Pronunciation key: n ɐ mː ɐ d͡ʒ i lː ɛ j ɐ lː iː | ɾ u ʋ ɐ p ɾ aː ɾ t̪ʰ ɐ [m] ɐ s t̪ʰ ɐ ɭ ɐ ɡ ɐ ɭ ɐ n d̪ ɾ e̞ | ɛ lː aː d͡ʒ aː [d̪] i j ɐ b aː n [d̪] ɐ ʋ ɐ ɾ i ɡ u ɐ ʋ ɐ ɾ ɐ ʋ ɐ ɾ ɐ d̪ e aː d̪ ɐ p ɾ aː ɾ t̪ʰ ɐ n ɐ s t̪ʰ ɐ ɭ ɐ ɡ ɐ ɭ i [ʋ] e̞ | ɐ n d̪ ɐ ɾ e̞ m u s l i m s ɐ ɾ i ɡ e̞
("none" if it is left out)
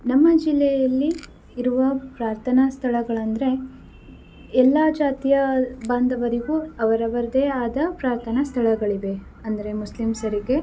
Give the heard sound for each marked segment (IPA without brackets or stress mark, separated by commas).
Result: n, t̪, d̪, ʋ